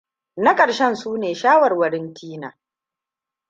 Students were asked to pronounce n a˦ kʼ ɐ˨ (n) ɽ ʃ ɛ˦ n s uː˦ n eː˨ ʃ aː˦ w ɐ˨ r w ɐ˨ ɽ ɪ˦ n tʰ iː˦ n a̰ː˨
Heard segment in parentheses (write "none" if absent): none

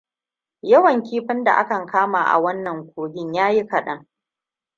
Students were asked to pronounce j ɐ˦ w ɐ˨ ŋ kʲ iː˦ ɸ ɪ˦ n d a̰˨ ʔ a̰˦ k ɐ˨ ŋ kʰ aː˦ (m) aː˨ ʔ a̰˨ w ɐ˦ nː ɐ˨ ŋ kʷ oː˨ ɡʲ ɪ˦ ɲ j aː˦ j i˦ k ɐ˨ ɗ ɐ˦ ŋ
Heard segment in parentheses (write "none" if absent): m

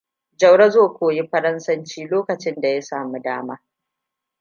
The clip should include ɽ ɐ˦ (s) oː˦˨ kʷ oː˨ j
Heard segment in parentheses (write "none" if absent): z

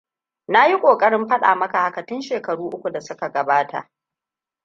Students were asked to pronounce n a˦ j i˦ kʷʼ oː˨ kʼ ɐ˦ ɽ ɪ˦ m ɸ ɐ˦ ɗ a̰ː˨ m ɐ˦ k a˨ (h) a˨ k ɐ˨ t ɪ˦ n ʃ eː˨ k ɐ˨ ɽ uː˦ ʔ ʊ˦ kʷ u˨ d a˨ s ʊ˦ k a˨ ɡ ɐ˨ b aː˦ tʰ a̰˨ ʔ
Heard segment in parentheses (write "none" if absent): h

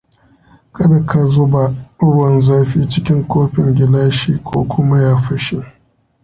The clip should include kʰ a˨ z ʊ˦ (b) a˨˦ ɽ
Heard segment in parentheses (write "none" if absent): b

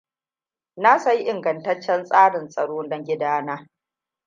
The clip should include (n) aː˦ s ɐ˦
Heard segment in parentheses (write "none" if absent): n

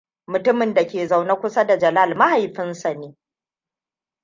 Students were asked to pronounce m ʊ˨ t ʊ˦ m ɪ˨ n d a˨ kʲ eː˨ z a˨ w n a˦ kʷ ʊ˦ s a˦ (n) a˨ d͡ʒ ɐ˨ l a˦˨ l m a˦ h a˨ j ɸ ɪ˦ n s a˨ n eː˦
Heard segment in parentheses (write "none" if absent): d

